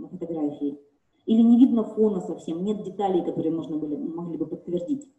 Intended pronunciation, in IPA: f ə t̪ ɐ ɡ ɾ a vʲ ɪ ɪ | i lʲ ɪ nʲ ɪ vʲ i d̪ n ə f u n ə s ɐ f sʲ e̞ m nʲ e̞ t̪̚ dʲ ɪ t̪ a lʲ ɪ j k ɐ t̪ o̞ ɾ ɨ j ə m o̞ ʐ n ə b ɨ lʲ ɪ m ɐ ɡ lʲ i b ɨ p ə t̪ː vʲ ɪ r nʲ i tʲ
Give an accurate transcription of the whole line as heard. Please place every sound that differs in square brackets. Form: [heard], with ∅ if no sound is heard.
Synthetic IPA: f ə t̪ ɐ ɡ ɾ a [fʲ] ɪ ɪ | i lʲ ɪ nʲ ɪ vʲ i d̪ n ə f [o] n ə s ɐ f sʲ e̞ m nʲ e̞ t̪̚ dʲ ɪ t̪ a lʲ ɪ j k ɐ t̪ o̞ ɾ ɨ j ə m o̞ ʐ n ə b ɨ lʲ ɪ m ɐ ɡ lʲ i b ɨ p ə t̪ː vʲ ɪ r [dʲ] i tʲ